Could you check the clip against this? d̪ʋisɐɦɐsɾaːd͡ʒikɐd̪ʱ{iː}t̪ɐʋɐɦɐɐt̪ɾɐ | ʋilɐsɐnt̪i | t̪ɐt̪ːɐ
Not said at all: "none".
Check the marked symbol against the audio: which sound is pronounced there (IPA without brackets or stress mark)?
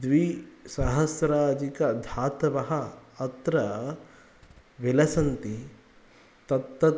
aː